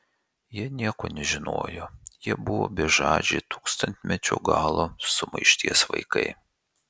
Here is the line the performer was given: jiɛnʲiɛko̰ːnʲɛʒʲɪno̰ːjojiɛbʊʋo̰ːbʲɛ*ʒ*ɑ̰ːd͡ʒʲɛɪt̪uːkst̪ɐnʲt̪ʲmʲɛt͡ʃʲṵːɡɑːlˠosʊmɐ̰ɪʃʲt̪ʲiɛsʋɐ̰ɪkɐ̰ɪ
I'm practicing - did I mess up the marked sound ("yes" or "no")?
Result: no